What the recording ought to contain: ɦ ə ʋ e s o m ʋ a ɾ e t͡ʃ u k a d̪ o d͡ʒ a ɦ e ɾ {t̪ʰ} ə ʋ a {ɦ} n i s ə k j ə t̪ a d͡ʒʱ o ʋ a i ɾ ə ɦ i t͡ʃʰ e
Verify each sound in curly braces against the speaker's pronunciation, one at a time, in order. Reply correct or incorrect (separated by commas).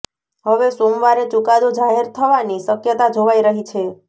correct, incorrect